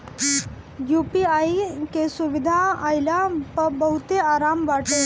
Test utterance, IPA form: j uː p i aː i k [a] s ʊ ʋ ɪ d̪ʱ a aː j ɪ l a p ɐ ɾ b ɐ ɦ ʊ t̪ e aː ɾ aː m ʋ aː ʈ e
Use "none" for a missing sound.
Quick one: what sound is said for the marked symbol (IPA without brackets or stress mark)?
e